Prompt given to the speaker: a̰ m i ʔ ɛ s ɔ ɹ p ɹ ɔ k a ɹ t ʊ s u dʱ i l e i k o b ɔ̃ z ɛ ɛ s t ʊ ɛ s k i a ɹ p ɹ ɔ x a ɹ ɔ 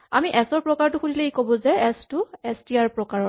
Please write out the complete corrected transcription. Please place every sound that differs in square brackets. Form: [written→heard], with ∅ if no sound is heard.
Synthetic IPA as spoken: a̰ m i ʔ ɛ s ɔ ɹ p ɹ ɔ k a ɹ t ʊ [s→x] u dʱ i l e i k o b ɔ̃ z ɛ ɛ s t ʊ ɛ s [k→t] i a ɹ p ɹ ɔ [x→k] a ɹ ɔ